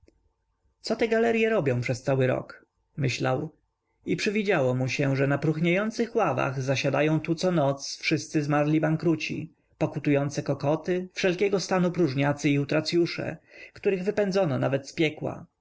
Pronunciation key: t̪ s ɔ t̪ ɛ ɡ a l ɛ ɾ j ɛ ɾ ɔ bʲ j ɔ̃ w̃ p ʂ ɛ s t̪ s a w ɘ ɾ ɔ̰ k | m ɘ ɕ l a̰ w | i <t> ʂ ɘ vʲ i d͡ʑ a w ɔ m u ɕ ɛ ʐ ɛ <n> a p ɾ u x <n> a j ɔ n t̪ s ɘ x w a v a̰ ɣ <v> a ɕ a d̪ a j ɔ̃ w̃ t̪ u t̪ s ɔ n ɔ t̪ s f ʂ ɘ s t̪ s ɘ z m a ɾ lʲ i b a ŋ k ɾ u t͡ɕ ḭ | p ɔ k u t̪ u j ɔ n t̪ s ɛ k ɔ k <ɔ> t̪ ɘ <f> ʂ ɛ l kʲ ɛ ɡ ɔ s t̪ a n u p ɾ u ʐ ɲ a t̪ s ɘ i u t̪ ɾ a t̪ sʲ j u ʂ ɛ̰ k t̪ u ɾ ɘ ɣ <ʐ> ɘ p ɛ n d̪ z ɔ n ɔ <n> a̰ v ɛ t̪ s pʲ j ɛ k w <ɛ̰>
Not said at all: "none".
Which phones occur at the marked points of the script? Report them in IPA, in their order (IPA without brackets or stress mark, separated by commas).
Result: p, n, ɲ, z, ɔ, f, v, n, a̰